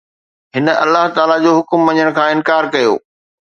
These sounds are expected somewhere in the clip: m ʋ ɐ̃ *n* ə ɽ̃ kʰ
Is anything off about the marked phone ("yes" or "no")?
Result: yes